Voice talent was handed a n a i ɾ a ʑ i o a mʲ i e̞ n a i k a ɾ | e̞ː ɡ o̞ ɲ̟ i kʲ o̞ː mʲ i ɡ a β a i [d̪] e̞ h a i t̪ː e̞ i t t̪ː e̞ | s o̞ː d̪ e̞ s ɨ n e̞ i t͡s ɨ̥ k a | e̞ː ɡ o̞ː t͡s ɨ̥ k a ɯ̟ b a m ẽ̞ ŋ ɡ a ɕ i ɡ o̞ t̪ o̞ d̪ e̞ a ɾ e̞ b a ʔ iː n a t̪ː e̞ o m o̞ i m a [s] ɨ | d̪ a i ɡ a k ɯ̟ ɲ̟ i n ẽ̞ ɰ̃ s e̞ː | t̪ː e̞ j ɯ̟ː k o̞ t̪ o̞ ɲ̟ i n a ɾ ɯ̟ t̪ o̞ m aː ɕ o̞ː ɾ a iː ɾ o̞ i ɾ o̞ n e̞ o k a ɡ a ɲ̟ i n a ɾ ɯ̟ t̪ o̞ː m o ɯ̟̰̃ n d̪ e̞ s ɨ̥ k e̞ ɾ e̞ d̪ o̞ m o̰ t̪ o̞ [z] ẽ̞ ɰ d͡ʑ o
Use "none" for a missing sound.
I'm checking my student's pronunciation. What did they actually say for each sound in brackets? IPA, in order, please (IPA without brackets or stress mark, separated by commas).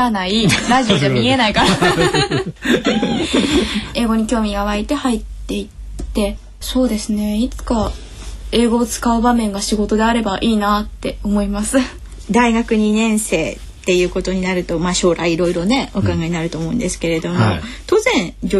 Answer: t̪, s, z